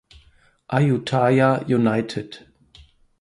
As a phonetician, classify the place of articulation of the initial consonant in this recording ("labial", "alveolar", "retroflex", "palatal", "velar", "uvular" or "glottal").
glottal